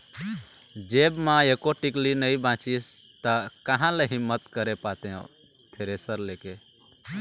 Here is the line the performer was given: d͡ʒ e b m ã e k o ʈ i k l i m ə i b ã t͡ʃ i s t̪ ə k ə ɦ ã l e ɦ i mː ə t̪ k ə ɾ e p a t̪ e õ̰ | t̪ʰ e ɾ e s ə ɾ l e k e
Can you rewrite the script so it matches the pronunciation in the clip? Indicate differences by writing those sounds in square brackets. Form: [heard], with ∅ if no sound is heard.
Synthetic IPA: d͡ʒ e b m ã e k o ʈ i k l i [n] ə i b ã t͡ʃ i s t̪ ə k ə ɦ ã l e ɦ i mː ə t̪ k ə ɾ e p a t̪ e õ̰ | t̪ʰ e ɾ e s ə ɾ l e k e